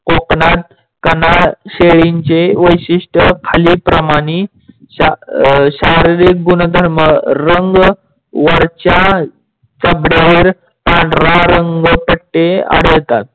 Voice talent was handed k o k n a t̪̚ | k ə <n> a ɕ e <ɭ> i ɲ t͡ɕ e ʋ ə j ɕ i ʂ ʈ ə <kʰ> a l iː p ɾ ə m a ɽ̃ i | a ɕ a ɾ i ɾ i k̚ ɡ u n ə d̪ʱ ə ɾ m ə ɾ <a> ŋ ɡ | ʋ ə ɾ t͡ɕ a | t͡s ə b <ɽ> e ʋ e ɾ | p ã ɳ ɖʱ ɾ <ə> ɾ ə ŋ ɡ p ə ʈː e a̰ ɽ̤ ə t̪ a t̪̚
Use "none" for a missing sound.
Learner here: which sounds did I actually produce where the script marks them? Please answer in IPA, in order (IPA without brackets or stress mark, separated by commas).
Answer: n, ɭ, kʰ, ə, ɽ, a